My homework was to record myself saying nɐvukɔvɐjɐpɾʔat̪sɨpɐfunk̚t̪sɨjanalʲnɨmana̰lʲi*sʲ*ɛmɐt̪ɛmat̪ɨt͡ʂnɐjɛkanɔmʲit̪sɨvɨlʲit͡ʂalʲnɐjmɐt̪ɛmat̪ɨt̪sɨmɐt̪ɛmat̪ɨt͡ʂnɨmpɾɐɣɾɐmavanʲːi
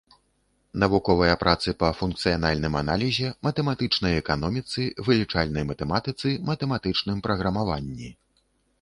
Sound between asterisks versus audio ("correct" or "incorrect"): incorrect